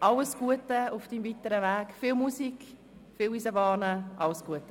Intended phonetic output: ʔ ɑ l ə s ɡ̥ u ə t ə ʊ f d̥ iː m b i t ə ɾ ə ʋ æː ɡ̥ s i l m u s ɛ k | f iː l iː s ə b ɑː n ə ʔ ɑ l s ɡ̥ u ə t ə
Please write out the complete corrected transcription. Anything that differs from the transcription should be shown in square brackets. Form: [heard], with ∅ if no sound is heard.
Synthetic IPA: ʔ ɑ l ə s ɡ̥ u ə t ə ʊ f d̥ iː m [v] i t ə ɾ ə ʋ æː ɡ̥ [f] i l m u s [i] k | f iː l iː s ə b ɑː n ə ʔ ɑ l s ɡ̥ u ə t ə

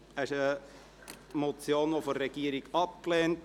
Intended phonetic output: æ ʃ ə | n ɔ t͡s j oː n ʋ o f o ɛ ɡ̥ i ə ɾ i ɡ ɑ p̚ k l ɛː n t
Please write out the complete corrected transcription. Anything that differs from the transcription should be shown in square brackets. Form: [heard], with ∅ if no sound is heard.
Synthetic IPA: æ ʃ ə | [m] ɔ t͡s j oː n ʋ o f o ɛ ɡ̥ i ə ɾ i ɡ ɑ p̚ k l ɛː n t

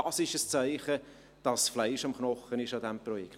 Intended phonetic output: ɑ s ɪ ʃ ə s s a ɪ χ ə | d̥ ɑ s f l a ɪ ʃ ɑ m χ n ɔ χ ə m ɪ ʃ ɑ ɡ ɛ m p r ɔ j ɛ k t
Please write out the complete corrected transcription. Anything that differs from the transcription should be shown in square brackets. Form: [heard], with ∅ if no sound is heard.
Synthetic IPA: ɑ s ɪ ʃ ə s [t͡s] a ɪ χ ə | d̥ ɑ s f l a ɪ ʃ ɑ m χ n ɔ χ ə [n] ɪ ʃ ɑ [d] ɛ m p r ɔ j ɛ k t

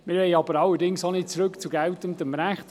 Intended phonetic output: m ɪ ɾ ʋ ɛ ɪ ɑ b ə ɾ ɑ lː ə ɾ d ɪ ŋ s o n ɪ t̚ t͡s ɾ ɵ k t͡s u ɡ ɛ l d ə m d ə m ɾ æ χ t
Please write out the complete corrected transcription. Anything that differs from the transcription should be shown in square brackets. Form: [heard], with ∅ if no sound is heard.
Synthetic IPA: m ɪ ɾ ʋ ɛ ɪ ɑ b ə ɾ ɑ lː ə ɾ d ɪ ŋ s o n ɪ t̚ t͡s ɾ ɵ k t͡s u ɡ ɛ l [t] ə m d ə m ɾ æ χ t

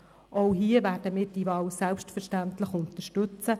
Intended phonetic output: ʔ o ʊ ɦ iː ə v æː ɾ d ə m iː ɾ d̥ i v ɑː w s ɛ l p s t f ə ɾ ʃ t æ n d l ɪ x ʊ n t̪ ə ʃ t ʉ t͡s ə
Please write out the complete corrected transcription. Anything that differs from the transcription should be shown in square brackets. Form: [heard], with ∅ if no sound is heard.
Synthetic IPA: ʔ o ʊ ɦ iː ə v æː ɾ d ə m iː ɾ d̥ i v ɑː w s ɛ l p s t f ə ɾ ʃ t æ n [t] l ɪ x ʊ n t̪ ə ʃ t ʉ t͡s ə

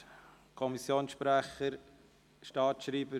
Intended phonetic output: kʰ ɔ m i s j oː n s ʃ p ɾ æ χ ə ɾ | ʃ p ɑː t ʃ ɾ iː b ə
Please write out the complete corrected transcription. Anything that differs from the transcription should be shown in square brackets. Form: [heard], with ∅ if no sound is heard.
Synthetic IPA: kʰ ɔ m i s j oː n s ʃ p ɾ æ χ ə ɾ | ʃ [t] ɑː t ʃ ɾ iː b ə

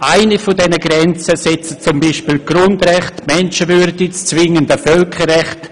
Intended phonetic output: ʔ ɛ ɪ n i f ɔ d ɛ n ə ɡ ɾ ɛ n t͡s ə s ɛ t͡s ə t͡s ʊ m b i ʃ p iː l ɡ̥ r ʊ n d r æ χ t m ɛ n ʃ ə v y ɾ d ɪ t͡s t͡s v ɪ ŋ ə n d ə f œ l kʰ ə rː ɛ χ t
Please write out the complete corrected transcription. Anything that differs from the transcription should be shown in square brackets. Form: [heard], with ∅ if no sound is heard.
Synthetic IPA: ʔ [a] ɪ n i f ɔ d ɛ n ə ɡ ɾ ɛ n t͡s ə s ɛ t͡s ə t͡s ʊ m b i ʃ p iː l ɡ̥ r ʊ n d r [ɛ] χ t m ɛ n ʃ ə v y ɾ d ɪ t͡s t͡s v ɪ ŋ ə n d ə f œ l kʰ ə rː ɛ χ t

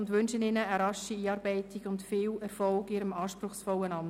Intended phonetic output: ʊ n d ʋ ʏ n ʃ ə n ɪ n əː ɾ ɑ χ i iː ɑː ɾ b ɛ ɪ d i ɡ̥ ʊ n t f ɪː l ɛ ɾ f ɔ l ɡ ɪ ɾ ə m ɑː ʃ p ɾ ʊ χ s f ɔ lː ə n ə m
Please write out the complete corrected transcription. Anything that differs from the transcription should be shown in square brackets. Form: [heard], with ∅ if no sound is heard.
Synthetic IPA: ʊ n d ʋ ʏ n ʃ ə n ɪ n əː ɾ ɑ [ʃ] i iː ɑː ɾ b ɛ ɪ [t] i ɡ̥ ʊ n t f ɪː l ɛ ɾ f ɔ l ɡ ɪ ɾ ə m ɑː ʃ p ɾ ʊ χ s f ɔ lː ə n [ɑ] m

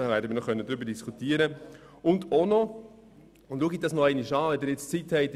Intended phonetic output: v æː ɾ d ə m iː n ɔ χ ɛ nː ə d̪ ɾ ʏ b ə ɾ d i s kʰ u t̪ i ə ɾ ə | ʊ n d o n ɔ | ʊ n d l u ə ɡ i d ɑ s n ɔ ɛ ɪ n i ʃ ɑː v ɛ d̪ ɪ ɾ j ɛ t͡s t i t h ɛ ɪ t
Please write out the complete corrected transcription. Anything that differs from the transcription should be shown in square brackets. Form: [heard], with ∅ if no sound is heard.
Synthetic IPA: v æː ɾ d ə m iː n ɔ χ [œ] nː ə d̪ ɾ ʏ b ə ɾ d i s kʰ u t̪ i ə ɾ ə | ʊ n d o n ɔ | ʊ n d l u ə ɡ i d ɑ s n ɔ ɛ ɪ n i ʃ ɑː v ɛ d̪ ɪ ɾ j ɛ t͡s [t͡s] i t h ɛ ɪ t

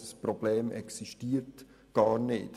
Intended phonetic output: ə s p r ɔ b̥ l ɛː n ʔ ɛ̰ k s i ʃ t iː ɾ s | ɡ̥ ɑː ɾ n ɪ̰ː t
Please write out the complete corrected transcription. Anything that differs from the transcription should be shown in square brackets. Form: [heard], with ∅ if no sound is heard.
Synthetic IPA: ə s p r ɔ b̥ l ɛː [m] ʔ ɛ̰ k s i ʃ t iː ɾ [t] | ɡ̥ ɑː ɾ n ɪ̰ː t

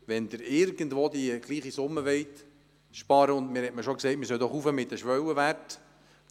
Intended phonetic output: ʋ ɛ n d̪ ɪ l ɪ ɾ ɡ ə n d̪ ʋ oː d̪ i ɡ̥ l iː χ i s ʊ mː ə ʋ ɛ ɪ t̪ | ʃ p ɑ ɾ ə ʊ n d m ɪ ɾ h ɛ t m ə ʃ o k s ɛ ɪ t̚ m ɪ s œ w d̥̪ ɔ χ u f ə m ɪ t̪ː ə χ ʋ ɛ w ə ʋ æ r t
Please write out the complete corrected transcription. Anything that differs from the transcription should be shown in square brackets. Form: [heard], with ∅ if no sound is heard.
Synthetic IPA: ʋ ɛ n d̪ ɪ [ɾ] ɪ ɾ ɡ ə n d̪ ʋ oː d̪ i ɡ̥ l iː χ i s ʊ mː ə ʋ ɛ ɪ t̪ | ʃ p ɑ ɾ ə ʊ n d m ɪ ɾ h ɛ t m ə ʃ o k s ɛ ɪ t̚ m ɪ s œ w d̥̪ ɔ χ u f ə m ɪ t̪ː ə [ʃ] ʋ [œ] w ə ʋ æ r t

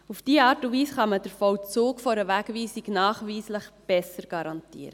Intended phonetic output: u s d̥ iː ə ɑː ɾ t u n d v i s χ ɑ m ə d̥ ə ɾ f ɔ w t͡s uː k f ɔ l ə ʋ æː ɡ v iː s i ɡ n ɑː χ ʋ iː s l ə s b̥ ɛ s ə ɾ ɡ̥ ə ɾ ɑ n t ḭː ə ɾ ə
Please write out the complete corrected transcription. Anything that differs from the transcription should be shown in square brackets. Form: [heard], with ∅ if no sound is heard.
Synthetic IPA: u [f] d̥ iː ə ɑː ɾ t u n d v [iː] s χ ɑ m ə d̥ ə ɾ f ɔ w t͡s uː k f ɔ [ɾ] ə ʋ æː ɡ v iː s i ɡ n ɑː χ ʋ iː s l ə [χ] b̥ ɛ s ə ɾ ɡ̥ [ɑ] ɾ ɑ n t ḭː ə ɾ ə

